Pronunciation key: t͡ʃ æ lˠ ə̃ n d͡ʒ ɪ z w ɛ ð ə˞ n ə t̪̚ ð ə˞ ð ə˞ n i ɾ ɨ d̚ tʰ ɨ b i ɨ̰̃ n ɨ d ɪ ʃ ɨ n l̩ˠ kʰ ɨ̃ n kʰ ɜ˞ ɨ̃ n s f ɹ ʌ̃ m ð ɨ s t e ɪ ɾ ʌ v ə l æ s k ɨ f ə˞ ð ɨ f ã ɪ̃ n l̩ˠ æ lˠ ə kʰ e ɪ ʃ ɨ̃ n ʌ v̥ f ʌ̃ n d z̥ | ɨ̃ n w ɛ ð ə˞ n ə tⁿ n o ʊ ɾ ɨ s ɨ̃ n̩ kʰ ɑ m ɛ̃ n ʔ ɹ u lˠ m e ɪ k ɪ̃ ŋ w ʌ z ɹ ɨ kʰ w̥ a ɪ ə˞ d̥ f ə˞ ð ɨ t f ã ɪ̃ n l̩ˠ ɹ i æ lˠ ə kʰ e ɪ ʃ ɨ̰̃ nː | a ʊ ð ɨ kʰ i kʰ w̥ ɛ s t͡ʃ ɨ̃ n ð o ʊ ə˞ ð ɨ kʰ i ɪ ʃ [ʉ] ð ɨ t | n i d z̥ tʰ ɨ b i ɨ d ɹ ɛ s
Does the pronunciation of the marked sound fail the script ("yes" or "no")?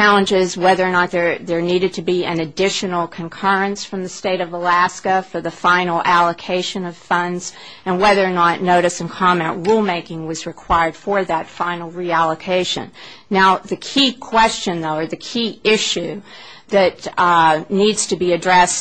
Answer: no